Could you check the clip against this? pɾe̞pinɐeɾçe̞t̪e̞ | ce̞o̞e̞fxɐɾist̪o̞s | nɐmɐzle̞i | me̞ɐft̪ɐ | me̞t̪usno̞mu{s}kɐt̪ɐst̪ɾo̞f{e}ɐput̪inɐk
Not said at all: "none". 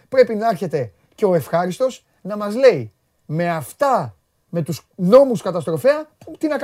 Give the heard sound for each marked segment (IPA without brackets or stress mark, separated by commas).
s, e